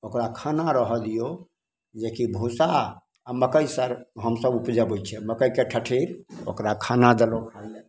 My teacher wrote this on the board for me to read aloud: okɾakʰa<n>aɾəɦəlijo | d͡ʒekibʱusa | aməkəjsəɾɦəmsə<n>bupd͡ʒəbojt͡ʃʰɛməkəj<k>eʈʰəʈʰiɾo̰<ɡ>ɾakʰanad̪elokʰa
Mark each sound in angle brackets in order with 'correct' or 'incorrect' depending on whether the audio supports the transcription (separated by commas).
correct, incorrect, correct, incorrect